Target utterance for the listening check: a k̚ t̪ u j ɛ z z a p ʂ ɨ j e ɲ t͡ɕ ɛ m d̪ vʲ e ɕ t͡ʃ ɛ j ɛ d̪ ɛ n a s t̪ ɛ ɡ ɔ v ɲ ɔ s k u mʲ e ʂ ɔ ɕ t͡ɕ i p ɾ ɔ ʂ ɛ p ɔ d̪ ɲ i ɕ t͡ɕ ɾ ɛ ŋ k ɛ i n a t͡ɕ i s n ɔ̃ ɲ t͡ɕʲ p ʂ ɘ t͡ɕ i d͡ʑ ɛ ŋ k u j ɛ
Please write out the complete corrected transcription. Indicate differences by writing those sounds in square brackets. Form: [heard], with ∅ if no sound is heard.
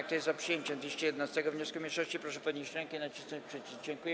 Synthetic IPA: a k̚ t̪ [ɔ] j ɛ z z a p ʂ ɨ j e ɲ t͡ɕ ɛ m d̪ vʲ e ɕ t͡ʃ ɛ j ɛ d̪ ɛ n a s t̪ ɛ ɡ ɔ v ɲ ɔ s k u mʲ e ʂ ɔ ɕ t͡ɕ i p ɾ ɔ ʂ ɛ p ɔ d̪ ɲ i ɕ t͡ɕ ɾ ɛ ŋ k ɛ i n a t͡ɕ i s n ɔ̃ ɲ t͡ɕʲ p ʂ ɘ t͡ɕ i d͡ʑ ɛ ŋ k u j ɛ